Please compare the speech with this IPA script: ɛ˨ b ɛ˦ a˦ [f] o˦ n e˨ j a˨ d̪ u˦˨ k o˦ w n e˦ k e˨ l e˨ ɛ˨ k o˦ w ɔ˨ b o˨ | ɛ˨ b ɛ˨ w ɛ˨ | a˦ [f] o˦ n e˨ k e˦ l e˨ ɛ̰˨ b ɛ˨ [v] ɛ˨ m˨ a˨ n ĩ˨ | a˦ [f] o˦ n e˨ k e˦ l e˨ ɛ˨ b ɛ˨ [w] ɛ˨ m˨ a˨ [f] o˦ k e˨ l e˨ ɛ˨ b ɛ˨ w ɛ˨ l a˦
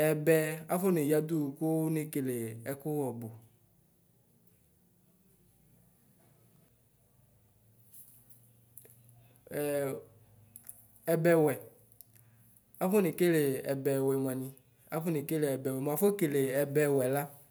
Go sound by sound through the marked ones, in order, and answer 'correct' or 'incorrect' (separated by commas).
correct, correct, incorrect, correct, correct, correct